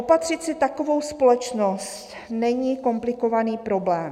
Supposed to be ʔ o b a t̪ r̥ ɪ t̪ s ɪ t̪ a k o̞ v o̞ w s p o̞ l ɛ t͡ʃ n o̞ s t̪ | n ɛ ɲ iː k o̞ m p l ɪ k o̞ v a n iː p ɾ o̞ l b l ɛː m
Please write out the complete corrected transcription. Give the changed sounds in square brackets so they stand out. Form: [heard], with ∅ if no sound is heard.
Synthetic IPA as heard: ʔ o [p] a t̪ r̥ ɪ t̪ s ɪ t̪ a k o̞ v o̞ w s p o̞ l ɛ t͡ʃ n o̞ s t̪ | n ɛ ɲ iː k o̞ m p l ɪ k o̞ v a n iː p ɾ o̞ [∅] b l ɛː m